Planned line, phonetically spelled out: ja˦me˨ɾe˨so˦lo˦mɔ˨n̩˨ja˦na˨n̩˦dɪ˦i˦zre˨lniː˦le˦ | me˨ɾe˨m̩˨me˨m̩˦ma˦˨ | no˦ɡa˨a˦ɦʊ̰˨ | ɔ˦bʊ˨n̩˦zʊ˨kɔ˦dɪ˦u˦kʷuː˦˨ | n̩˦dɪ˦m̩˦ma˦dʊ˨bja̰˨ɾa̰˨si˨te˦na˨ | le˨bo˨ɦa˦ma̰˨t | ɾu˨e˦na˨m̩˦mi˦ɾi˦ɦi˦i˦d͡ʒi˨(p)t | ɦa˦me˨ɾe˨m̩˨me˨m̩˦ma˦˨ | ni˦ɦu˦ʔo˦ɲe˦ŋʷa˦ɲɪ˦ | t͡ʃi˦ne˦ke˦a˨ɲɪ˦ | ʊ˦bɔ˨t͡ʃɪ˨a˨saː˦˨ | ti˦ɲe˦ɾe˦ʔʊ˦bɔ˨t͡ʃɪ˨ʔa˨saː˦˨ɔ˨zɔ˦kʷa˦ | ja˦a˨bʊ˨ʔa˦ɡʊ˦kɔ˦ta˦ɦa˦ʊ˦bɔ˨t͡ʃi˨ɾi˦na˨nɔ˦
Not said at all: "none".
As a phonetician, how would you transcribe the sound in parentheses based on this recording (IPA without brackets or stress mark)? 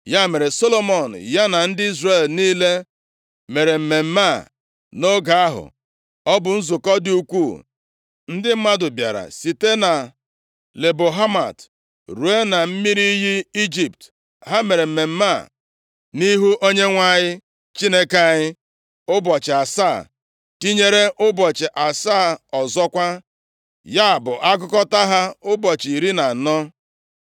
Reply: p